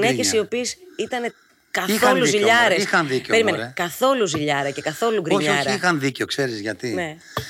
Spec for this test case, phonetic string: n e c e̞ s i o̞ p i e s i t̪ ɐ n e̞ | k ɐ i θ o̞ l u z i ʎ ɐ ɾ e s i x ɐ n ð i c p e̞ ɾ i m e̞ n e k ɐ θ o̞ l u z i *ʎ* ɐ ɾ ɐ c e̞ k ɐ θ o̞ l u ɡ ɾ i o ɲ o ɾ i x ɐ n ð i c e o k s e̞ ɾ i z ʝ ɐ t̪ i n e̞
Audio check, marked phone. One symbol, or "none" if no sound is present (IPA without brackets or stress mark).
ʎ